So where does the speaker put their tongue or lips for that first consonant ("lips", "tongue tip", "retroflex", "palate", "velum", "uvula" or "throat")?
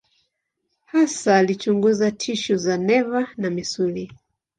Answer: throat